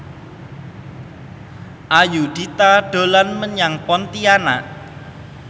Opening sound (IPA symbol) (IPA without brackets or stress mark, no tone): ʔ